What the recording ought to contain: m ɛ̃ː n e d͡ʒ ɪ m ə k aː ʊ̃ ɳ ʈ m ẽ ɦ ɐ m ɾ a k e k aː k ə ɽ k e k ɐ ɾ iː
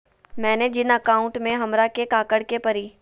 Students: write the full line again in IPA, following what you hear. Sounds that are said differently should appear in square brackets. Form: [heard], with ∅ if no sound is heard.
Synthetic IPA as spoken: m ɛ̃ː n e d͡ʒ ɪ [n] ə k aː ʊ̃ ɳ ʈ m ẽ ɦ ɐ m ɾ a k e k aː k ə ɽ k e [p] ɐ ɾ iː